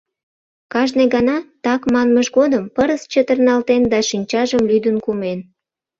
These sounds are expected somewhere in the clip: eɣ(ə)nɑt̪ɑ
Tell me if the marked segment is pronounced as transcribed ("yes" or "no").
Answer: no